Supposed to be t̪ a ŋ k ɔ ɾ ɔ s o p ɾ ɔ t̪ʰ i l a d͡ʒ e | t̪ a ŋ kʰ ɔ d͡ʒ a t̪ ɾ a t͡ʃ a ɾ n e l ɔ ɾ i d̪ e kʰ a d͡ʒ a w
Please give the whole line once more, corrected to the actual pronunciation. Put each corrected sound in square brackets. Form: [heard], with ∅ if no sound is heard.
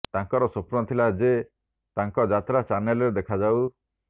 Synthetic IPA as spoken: t̪ a ŋ k ɔ ɾ ɔ s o p ɾ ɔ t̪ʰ i l a d͡ʒ e | t̪ a ŋ [k] ɔ d͡ʒ a t̪ ɾ a t͡ʃ a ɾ n e l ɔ ɾ [e] d̪ e kʰ a d͡ʒ a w